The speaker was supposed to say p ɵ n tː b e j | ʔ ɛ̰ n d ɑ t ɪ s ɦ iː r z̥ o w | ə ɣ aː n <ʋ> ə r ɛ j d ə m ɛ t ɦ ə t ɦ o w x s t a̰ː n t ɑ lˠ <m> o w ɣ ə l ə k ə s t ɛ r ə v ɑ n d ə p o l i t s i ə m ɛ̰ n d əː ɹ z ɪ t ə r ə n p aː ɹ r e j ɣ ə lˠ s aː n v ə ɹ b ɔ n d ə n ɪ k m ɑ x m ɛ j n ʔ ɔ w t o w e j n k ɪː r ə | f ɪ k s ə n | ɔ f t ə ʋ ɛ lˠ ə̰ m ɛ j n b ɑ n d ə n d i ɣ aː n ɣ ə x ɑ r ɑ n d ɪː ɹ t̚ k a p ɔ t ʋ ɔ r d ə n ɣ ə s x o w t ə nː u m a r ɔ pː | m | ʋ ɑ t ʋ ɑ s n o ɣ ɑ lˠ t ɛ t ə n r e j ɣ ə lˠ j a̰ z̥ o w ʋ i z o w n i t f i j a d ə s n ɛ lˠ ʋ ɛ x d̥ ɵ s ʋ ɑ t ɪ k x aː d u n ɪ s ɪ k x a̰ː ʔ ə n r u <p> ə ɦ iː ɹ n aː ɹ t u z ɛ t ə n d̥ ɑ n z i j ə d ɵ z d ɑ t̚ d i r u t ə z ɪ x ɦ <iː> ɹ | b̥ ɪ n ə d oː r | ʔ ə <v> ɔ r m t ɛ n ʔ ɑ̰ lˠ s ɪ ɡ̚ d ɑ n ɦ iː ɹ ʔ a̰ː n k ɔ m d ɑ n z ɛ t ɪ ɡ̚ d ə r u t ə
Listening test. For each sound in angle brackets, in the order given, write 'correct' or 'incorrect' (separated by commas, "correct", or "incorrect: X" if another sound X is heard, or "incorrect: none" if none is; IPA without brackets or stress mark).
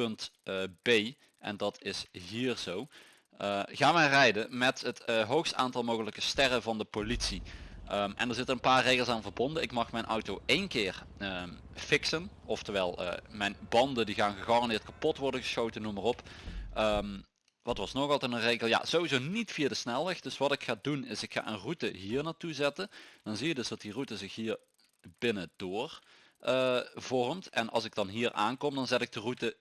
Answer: correct, correct, incorrect: t, correct, correct